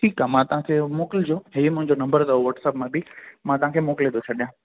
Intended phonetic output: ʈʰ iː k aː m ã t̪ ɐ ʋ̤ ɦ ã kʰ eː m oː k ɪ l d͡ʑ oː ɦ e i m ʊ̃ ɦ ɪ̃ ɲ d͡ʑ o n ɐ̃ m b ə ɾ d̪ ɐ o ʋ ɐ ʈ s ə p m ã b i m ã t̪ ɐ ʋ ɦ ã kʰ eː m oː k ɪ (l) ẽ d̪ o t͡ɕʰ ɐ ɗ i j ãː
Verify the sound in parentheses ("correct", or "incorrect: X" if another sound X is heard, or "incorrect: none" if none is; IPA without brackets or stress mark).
correct